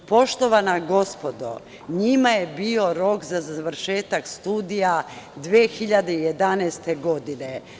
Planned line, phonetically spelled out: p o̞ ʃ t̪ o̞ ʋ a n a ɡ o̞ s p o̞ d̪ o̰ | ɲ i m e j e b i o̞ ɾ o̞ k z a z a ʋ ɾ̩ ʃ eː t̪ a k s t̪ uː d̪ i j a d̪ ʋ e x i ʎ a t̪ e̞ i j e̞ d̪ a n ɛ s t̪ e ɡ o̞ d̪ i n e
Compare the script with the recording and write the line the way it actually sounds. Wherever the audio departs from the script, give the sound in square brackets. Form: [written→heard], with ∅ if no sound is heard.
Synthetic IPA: p o̞ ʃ t̪ o̞ ʋ a n a ɡ o̞ s p o̞ d̪ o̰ | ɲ i m [e→a] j e b i o̞ ɾ o̞ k z a z a ʋ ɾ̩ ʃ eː t̪ a k s t̪ uː d̪ i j a d̪ ʋ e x i ʎ a [t̪→d̪] e̞ i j e̞ d̪ a n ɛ s t̪ e ɡ o̞ d̪ i n e